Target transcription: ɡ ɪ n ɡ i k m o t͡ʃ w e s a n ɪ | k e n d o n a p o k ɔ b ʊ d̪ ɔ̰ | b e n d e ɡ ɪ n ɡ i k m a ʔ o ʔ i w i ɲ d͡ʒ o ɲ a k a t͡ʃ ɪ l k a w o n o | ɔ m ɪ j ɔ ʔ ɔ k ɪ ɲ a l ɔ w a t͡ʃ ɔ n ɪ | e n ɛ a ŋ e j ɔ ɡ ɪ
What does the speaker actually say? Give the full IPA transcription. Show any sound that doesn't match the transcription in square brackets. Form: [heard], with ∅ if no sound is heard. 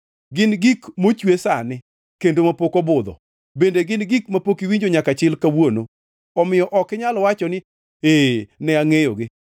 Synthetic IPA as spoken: ɡ ɪ n ɡ i k m o t͡ʃ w e s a n ɪ | k e n d o [m] a p o k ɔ b ʊ d̪ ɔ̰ | b e n d e ɡ ɪ n ɡ i k m a [p] o [k] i w i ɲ d͡ʒ o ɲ a k a t͡ʃ ɪ l k a w o n o | ɔ m ɪ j ɔ ʔ ɔ k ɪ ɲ a l ɔ w a t͡ʃ ɔ n ɪ | e n ɛ a ŋ e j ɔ ɡ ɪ